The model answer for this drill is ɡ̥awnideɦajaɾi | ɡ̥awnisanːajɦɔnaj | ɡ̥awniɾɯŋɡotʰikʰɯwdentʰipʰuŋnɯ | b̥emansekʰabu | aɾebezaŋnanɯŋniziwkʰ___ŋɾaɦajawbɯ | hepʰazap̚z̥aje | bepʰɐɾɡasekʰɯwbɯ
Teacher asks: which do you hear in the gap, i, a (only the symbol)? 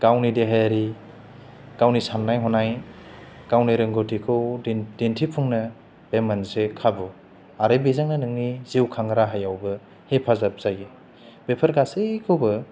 a